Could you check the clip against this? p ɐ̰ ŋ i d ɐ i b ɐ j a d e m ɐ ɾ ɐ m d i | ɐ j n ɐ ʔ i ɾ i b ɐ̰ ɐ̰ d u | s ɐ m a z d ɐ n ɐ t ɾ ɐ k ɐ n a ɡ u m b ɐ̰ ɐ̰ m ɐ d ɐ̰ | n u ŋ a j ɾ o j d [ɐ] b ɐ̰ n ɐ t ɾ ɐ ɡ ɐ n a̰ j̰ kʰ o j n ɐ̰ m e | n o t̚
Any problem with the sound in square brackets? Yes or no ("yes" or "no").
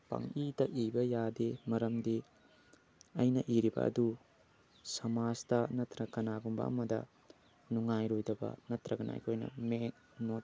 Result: no